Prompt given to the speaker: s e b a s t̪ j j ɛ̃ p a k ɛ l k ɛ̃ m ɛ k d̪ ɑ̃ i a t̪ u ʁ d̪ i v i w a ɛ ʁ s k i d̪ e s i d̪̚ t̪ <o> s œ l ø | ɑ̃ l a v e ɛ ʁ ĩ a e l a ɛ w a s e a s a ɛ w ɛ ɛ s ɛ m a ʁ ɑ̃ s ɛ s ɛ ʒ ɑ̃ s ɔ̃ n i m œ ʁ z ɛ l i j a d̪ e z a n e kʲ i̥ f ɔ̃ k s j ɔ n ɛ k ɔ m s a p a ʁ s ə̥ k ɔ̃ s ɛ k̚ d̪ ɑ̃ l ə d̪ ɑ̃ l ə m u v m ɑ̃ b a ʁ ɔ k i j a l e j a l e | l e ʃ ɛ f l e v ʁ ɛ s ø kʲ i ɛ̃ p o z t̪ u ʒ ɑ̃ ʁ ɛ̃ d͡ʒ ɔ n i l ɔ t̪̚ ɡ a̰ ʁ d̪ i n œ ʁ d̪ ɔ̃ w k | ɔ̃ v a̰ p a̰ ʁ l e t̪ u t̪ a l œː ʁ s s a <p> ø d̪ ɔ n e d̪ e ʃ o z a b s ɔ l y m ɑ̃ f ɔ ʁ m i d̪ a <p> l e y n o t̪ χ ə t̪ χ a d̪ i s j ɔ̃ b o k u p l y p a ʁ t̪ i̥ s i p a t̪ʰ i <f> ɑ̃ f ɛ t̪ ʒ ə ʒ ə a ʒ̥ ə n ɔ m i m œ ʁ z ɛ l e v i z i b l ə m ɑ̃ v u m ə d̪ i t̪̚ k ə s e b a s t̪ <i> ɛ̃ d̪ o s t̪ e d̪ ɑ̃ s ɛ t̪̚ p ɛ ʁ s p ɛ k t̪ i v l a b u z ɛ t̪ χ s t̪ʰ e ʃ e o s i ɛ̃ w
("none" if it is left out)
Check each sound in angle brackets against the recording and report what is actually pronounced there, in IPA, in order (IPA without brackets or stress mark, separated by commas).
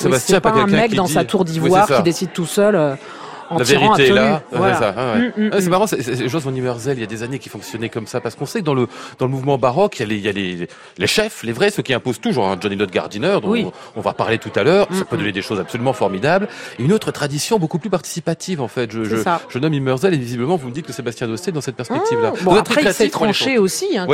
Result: u, p, b, v, j